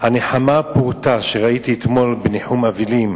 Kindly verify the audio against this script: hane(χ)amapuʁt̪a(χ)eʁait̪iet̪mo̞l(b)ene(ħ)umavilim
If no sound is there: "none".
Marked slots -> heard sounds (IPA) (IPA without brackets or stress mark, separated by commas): ħ, ʃ, b, ħ